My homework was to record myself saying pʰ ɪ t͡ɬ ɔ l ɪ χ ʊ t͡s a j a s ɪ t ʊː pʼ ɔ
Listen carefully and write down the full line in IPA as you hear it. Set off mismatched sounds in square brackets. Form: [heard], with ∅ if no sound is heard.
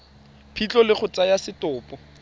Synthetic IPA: pʰ [i] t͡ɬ ɔ l ɪ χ ʊ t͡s a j a s ɪ t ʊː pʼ ɔ

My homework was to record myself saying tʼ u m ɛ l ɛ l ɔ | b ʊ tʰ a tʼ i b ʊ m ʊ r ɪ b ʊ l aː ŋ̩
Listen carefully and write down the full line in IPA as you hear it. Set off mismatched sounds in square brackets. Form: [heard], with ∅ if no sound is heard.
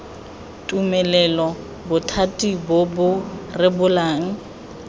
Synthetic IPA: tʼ u m ɛ l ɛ l ɔ | b ʊ tʰ a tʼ i b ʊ [b] ʊ r ɪ b ʊ l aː ŋ̩

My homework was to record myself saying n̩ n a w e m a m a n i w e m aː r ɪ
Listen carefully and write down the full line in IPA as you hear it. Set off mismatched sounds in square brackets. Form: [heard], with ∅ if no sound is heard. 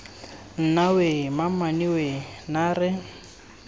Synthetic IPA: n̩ n a w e m a m a n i w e [n] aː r ɪ

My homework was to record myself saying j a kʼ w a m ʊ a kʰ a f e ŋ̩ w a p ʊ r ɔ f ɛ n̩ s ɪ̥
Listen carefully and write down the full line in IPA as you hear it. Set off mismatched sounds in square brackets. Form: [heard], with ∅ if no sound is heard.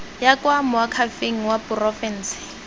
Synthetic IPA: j a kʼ w a m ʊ a kʰ a f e ŋ̩ w a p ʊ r ɔ f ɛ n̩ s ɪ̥

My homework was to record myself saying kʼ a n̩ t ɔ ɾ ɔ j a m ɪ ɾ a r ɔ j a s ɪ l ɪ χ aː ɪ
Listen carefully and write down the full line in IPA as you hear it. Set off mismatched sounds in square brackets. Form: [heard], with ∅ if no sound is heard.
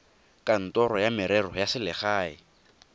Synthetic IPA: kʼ a n̩ t ɔ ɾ ɔ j a m ɪ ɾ [ɛ] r ɔ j a s ɪ l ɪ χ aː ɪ

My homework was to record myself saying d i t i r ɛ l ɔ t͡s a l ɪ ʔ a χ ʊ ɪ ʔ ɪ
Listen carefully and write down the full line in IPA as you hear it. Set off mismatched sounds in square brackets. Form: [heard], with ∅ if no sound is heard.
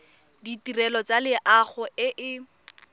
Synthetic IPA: d i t i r ɛ l ɔ t͡s a l ɪ ʔ a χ ʊ ɪ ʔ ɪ

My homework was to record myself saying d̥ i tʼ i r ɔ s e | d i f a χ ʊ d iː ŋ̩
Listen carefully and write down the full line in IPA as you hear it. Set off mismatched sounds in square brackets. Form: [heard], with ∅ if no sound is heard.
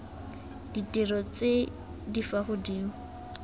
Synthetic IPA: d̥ i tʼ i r ɔ [t͡s] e | d i f a χ ʊ d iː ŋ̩

